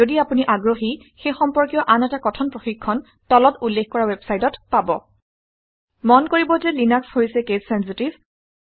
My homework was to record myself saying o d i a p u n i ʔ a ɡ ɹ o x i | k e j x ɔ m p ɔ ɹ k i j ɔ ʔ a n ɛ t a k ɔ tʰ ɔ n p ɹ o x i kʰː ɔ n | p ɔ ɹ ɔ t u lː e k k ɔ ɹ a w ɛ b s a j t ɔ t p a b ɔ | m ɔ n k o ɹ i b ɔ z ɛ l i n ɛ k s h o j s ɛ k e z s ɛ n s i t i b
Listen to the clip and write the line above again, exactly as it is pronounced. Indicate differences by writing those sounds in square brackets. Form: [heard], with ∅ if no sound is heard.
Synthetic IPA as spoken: o d i a p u n i ʔ a ɡ ɹ o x i | [x] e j x ɔ m p ɔ ɹ k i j ɔ ʔ a n ɛ t a k ɔ tʰ ɔ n p ɹ o x i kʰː ɔ n | [t] ɔ [l] ɔ t u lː e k k ɔ ɹ a w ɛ b s a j t ɔ t p a b ɔ | m ɔ n k o ɹ i b ɔ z ɛ l i n [a] k s h o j s ɛ k e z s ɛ n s i t i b